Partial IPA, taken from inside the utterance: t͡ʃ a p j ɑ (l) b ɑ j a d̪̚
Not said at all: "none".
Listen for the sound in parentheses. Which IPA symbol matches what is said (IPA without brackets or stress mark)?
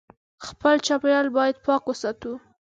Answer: l